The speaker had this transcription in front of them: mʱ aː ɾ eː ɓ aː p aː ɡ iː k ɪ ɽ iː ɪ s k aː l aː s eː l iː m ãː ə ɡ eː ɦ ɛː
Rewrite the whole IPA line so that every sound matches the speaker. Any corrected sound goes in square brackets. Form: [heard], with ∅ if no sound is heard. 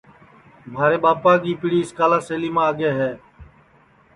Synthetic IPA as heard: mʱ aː ɾ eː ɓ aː p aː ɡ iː [p] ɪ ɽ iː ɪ s k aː l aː s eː l iː m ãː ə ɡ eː ɦ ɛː